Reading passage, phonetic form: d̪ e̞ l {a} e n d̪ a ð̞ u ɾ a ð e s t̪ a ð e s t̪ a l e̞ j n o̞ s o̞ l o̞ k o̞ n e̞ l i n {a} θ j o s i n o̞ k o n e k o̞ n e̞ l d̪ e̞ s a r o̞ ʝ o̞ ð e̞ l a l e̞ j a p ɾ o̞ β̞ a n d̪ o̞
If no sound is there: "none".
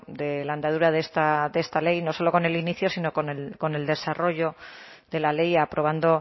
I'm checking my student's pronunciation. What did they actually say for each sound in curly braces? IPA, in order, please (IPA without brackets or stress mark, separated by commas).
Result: a, i